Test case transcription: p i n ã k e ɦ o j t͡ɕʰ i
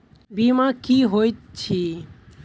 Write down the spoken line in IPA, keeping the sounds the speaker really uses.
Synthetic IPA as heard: b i m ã k i ɦ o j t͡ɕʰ i